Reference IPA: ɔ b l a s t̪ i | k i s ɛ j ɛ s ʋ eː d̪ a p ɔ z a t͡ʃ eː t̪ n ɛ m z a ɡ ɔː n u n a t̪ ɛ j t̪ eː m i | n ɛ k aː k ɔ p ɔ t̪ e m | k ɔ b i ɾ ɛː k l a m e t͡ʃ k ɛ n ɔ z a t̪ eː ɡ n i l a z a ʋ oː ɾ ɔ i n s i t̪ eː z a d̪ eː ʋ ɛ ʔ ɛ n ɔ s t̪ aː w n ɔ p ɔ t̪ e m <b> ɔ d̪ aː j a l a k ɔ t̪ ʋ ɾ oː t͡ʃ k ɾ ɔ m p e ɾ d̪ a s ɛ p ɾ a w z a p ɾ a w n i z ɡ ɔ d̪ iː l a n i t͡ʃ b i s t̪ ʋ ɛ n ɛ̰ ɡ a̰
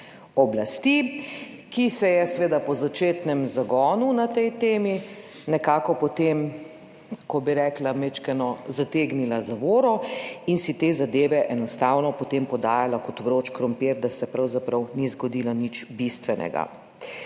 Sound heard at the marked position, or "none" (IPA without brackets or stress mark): p